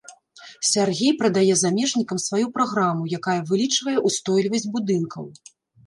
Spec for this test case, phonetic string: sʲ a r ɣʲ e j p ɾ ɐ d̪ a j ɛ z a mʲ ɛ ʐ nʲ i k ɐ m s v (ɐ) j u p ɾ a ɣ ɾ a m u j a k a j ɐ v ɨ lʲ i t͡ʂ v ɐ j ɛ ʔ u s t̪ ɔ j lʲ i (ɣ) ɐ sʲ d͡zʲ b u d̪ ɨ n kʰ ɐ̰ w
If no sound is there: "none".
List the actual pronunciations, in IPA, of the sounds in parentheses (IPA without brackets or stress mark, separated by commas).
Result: a, v